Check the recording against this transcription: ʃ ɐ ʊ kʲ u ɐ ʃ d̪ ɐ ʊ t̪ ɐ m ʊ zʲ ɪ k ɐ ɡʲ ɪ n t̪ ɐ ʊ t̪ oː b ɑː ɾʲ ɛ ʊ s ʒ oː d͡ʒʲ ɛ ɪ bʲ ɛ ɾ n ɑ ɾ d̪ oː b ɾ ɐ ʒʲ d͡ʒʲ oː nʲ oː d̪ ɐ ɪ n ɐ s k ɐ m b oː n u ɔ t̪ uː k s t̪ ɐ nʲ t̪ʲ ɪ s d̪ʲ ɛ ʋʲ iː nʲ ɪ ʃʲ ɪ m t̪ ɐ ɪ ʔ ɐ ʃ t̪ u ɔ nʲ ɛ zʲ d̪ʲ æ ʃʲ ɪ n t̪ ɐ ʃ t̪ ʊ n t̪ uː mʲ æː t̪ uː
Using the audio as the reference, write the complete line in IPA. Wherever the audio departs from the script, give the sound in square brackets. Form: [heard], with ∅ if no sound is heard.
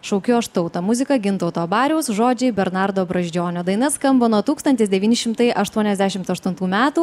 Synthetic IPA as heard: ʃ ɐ ʊ kʲ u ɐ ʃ [t̪] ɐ ʊ t̪ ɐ m ʊ zʲ ɪ k ɐ ɡʲ ɪ n t̪ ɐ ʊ t̪ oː b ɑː ɾʲ ɛ ʊ s ʒ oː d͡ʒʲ ɛ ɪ bʲ ɛ ɾ n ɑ ɾ d̪ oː b ɾ ɐ ʒʲ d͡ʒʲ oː nʲ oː d̪ ɐ ɪ n ɐ s k ɐ m b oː n u ɔ t̪ uː k s t̪ ɐ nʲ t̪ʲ ɪ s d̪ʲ ɛ ʋʲ iː nʲ ɪ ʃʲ ɪ m t̪ ɐ ɪ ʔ ɐ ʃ t̪ u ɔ nʲ ɛ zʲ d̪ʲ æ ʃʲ ɪ [m] t̪ ɐ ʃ t̪ ʊ n t̪ uː mʲ æː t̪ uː

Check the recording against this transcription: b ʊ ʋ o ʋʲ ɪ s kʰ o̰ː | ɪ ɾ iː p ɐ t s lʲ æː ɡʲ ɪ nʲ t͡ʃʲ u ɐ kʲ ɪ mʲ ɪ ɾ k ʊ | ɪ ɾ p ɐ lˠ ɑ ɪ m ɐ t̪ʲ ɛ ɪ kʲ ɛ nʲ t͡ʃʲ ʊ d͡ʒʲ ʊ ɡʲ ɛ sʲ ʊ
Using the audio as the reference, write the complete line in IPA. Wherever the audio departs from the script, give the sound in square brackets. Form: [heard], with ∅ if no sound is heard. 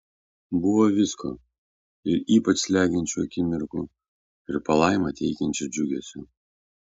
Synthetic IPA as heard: b ʊ ʋ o ʋʲ ɪ s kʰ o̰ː | ɪ ɾ iː p ɐ [t͡ʃ] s lʲ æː ɡʲ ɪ nʲ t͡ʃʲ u ɐ kʲ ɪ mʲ ɪ ɾ k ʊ | ɪ ɾ p ɐ lˠ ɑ ɪ m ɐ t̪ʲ ɛ ɪ kʲ ɛ nʲ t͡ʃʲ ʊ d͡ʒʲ ʊ ɡʲ ɛ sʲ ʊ

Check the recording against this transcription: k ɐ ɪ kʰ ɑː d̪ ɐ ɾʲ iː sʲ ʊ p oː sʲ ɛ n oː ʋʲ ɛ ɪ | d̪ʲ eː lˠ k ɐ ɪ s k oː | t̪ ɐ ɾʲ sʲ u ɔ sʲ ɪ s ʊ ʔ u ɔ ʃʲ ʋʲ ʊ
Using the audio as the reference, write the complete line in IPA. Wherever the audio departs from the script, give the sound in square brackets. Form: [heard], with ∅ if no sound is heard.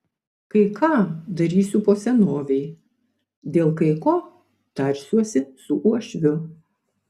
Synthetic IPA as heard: k ɐ ɪ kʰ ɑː d̪ ɐ ɾʲ iː sʲ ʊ p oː sʲ ɛ n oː ʋʲ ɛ ɪ | d̪ʲ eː lˠ k ɐ ɪ [∅] k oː | t̪ ɐ ɾʲ sʲ u ɔ sʲ ɪ s ʊ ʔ u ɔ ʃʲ ʋʲ ʊ

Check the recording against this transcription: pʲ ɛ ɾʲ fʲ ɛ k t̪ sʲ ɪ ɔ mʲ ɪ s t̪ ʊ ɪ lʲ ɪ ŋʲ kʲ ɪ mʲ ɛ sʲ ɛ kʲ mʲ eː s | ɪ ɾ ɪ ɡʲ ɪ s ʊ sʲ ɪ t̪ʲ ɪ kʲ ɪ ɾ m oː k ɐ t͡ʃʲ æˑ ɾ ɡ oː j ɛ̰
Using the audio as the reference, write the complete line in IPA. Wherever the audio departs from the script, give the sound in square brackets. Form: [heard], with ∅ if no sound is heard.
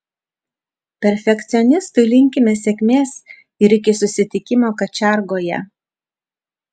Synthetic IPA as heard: pʲ ɛ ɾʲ fʲ ɛ k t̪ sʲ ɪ ɔ [nʲ] ɪ s t̪ ʊ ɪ lʲ ɪ ŋʲ kʲ ɪ mʲ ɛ sʲ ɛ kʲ mʲ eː s | ɪ ɾ ɪ [kʲ] ɪ s ʊ sʲ ɪ t̪ʲ ɪ kʲ ɪ [∅] m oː k ɐ t͡ʃʲ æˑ ɾ ɡ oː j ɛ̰

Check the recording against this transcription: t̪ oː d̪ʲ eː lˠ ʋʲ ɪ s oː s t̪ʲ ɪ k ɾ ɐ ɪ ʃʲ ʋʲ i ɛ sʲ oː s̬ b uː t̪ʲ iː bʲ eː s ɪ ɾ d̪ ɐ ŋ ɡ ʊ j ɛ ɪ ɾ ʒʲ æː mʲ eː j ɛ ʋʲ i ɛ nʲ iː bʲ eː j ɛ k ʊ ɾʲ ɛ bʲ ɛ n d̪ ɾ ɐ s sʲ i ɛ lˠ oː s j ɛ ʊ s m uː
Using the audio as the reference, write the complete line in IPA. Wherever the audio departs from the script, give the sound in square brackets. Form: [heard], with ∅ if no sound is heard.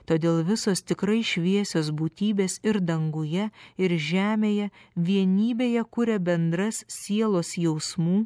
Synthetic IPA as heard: t̪ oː d̪ʲ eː lˠ ʋʲ ɪ s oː s t̪ʲ ɪ k ɾ ɐ ɪ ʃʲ ʋʲ i ɛ sʲ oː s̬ b uː t̪ʲ iː bʲ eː s ɪ ɾ d̪ ɐ ŋ ɡ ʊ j ɛ ɪ ɾ ʒʲ æː mʲ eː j ɛ ʋʲ i ɛ nʲ iː bʲ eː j ɛ k ʊ ɾʲ ɛ bʲ ɛ n d̪ ɾ ɐ s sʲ i ɛ lˠ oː s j ɛ ʊ s m uː

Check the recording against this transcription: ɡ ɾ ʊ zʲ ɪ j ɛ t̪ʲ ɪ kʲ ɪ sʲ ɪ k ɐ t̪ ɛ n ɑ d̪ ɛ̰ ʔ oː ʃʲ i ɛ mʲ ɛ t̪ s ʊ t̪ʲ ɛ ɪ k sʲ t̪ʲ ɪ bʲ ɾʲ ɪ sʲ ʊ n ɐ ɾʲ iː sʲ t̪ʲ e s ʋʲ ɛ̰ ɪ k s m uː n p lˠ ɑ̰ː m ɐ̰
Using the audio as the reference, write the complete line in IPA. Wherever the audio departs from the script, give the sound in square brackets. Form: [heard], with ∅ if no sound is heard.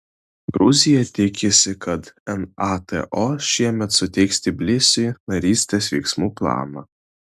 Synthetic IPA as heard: ɡ ɾ ʊ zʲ ɪ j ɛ t̪ʲ ɪ kʲ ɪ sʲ ɪ k ɐ t̪ ɛ n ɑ [t̪] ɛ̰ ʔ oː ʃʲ i ɛ mʲ ɛ t̪ s ʊ t̪ʲ ɛ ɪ k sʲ t̪ʲ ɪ bʲ [lʲ] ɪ sʲ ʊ n ɐ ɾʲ iː sʲ t̪ʲ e s ʋʲ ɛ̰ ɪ k s m uː [∅] p lˠ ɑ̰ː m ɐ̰

